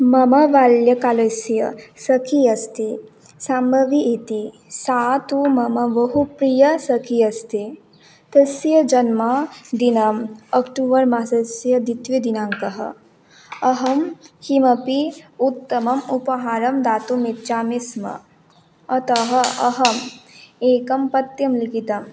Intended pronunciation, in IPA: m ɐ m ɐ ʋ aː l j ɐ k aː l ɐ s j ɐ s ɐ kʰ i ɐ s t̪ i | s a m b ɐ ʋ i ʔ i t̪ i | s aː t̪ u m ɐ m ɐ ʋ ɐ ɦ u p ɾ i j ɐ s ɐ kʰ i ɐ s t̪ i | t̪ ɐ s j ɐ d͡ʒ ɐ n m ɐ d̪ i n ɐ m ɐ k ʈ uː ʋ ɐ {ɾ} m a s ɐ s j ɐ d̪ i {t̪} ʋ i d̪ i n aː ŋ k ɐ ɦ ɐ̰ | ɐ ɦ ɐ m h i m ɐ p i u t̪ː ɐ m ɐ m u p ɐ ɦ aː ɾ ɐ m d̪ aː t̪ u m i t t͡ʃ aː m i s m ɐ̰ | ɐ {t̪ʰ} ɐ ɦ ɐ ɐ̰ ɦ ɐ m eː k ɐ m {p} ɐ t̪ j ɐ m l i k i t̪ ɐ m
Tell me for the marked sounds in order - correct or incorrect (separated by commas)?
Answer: correct, correct, incorrect, correct